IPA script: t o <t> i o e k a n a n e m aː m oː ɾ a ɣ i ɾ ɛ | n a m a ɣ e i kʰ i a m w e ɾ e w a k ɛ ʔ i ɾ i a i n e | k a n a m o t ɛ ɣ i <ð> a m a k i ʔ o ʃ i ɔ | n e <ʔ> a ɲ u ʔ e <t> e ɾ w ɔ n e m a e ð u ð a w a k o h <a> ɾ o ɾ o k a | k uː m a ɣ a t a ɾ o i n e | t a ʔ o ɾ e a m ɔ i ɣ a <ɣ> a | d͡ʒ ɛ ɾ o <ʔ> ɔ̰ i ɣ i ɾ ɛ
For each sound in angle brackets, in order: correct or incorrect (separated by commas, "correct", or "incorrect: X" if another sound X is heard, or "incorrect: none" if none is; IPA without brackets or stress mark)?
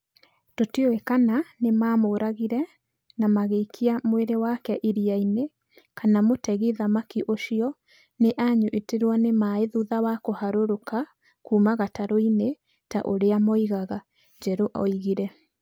correct, correct, correct, correct, correct, correct, correct